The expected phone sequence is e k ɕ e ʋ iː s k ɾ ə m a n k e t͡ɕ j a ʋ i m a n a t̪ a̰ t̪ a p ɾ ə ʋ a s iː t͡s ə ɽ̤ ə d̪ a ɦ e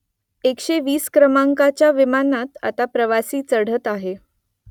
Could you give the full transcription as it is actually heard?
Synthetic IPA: e k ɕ e ʋ iː s k ɾ ə m a ŋ k a t͡ɕ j a ʋ i m a n a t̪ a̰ t̪ a p ɾ ə ʋ a s iː t͡s ə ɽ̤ ə t̪ a ɦ e